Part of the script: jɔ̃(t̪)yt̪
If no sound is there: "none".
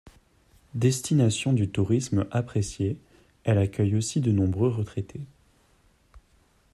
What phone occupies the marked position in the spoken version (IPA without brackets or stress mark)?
d̪